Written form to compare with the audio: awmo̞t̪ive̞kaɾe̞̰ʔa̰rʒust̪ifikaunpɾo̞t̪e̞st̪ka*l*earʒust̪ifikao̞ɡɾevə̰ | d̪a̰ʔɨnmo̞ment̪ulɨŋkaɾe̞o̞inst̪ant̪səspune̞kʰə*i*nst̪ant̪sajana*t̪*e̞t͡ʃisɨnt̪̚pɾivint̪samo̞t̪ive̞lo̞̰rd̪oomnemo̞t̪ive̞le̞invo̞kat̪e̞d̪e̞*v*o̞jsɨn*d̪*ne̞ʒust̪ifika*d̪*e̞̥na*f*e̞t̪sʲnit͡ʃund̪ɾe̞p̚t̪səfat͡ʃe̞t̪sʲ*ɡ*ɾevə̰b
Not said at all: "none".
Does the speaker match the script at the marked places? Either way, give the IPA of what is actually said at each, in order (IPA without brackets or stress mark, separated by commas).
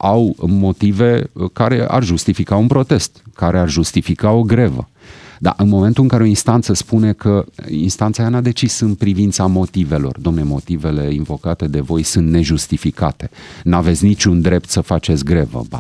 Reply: ɾ, i, d̪, v, t̪, t̪, v, ɡ